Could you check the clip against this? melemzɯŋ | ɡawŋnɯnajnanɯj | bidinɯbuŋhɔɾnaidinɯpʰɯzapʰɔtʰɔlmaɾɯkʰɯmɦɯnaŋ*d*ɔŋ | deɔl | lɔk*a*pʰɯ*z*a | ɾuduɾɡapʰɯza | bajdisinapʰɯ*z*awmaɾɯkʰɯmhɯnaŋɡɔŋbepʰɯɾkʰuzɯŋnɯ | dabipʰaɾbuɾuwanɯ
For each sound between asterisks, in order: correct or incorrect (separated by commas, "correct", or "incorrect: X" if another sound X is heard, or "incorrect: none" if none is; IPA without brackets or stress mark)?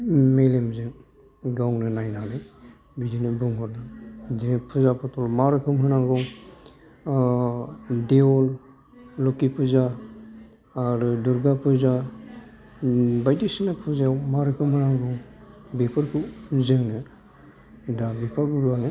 incorrect: ɡ, incorrect: i, correct, correct